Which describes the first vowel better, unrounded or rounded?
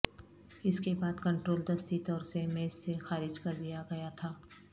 unrounded